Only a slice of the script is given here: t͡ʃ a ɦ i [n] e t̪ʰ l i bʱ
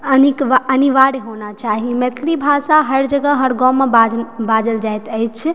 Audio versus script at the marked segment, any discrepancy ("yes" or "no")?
yes